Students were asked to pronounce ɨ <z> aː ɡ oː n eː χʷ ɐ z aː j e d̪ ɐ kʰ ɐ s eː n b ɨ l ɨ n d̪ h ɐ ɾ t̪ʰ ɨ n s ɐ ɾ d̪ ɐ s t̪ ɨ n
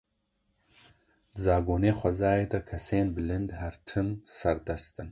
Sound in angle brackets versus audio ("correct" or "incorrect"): correct